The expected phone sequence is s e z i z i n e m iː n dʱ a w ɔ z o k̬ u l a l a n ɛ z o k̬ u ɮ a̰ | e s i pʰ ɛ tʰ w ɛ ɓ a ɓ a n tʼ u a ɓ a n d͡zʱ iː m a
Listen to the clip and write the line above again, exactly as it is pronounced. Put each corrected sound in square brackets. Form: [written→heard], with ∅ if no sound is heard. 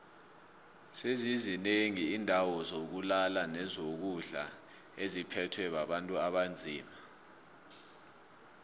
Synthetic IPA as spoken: s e z i z i n e [m→ŋ] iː n dʱ a w ɔ z o k̬ u l a l a n ɛ z o k̬ u ɮ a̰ | e [s→z] i pʰ ɛ tʰ w ɛ ɓ a ɓ a n tʼ u a ɓ a n d͡zʱ iː m a